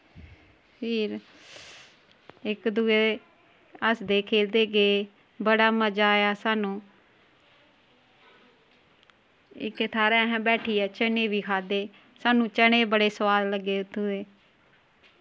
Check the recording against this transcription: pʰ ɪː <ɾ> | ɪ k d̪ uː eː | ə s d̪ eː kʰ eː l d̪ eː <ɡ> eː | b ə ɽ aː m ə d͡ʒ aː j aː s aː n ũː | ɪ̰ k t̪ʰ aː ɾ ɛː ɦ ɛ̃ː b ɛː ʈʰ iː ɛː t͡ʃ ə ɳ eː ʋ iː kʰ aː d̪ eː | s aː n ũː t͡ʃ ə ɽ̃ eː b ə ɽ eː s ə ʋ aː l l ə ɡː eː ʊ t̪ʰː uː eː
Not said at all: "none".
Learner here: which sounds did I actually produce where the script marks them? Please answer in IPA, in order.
ɾ, ɡ

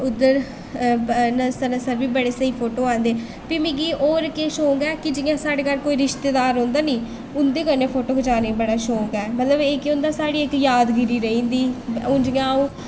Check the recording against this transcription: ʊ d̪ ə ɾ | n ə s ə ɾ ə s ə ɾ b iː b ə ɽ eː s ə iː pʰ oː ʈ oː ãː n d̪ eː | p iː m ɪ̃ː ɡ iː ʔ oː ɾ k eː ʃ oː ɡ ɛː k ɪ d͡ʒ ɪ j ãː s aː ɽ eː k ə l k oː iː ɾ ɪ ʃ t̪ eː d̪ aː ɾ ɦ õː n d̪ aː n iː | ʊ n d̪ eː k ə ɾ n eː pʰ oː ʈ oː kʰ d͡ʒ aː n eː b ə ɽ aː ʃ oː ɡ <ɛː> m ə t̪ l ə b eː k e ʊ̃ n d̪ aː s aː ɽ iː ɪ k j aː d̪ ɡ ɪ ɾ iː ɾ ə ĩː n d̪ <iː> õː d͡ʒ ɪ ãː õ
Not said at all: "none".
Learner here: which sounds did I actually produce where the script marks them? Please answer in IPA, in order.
ɛː, iː

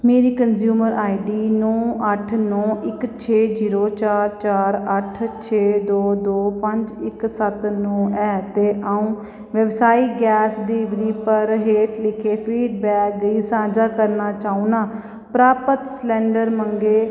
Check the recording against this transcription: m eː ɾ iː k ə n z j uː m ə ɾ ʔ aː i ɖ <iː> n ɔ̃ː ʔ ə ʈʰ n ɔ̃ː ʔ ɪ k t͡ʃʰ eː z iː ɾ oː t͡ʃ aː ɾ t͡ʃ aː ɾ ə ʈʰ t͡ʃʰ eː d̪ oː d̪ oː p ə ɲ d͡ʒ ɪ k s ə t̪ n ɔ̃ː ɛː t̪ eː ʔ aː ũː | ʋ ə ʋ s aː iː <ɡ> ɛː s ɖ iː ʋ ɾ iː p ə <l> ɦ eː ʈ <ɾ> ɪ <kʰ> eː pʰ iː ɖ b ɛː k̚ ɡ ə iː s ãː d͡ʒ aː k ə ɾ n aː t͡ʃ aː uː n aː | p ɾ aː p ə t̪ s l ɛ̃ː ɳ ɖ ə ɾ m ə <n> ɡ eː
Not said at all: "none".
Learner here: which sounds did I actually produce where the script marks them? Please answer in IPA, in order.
iː, ɡ, ɾ, l, kʰ, ŋ

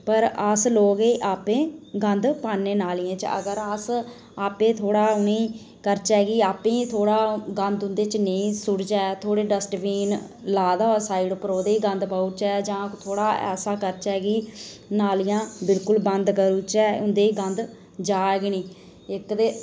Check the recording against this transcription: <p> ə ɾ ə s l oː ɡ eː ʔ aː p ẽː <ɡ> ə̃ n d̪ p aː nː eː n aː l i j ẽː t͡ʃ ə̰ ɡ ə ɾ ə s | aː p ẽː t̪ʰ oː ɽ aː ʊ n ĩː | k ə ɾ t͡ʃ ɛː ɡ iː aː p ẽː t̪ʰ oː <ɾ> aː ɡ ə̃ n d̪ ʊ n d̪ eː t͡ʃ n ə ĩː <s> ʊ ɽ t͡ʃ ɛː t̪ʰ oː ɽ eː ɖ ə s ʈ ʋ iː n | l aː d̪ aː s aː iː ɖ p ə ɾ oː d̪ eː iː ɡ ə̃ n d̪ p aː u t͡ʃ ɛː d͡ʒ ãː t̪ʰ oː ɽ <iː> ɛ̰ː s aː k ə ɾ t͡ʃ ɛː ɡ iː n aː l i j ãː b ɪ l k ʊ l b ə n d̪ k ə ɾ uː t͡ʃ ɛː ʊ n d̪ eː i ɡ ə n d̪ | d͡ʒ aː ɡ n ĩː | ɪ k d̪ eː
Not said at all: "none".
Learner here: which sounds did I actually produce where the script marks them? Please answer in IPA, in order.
p, ɡ, ɽ, s, aː

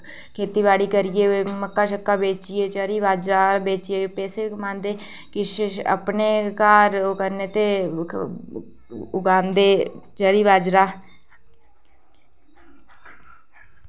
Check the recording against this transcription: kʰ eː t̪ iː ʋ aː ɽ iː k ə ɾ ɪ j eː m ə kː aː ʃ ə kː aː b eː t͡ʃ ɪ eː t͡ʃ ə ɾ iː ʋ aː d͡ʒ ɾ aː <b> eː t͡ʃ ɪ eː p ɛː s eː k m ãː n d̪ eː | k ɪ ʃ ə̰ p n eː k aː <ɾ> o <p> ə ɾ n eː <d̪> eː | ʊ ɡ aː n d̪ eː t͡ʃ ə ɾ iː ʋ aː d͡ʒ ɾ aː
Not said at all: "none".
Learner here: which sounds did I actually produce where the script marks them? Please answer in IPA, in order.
b, ɾ, k, t̪

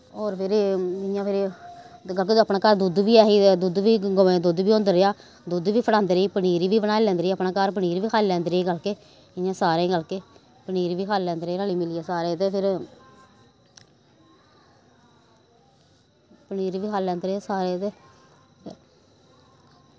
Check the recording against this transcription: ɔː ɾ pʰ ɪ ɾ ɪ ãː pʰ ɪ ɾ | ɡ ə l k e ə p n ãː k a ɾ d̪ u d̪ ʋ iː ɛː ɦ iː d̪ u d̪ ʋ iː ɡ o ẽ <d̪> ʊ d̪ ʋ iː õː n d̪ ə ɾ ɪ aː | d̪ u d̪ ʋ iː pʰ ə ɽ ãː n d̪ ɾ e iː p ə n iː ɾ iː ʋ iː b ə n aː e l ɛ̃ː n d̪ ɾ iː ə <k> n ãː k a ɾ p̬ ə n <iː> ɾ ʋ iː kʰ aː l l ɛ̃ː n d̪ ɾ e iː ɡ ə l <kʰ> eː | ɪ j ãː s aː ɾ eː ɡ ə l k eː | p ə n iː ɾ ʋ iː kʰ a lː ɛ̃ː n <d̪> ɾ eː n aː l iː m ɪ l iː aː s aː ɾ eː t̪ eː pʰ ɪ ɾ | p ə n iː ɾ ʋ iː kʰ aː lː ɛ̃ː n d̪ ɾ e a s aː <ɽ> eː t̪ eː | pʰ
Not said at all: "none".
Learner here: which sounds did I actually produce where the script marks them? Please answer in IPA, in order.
d̪, p, iː, k, d̪, ɾ

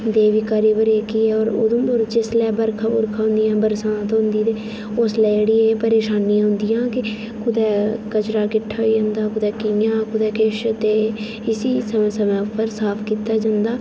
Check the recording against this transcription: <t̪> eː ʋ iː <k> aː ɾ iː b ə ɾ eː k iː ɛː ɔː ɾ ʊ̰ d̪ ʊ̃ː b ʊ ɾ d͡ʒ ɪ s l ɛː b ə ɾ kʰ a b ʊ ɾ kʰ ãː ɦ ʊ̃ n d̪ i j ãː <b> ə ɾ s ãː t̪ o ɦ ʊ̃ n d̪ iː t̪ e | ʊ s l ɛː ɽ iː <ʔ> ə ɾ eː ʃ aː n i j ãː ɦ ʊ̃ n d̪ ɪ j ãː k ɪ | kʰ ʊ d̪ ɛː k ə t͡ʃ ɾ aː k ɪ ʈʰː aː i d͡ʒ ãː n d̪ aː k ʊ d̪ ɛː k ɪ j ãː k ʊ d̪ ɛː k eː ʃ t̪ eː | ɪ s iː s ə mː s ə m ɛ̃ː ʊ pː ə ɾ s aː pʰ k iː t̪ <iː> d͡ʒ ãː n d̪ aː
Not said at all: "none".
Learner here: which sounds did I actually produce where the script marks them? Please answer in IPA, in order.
d̪, k, b, p, aː

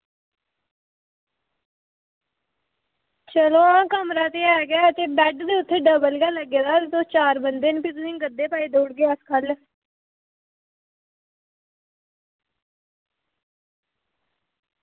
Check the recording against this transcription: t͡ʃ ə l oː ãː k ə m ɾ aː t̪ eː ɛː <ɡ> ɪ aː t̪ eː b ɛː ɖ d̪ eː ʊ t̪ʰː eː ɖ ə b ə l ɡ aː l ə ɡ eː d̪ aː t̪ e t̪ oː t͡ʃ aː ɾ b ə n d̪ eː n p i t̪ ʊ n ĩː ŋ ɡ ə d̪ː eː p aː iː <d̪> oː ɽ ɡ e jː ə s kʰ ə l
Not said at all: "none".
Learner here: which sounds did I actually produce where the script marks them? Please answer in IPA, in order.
ɡ, d̪

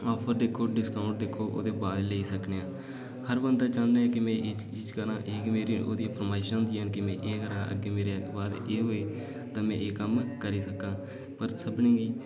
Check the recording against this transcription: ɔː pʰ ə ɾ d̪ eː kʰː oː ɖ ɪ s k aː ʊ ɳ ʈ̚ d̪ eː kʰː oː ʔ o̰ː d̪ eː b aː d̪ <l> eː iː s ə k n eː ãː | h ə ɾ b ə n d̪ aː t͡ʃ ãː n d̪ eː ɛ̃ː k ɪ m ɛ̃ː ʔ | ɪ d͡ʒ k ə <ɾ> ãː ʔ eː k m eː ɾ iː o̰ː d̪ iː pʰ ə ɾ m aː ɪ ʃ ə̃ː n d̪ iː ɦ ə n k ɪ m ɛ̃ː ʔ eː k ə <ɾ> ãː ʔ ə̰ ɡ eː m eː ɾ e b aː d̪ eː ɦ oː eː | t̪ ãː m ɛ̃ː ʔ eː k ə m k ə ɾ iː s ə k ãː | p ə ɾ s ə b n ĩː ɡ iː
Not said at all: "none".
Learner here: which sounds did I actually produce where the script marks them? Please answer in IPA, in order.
l, ɾ, ɾ

